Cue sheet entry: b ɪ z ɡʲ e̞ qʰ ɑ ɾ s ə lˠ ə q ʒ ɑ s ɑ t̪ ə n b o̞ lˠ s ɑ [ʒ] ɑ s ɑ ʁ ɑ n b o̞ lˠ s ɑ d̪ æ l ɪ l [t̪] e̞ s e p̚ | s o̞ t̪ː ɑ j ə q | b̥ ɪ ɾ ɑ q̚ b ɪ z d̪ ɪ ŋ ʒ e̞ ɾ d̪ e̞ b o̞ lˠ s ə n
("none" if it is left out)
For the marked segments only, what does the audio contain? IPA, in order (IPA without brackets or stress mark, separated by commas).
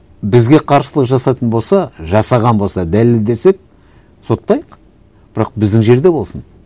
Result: ʒ, d̪